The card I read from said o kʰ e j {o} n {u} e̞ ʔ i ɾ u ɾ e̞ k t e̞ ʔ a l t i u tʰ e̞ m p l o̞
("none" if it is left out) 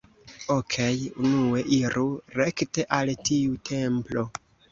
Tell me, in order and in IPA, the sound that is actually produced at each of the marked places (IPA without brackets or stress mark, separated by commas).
u, u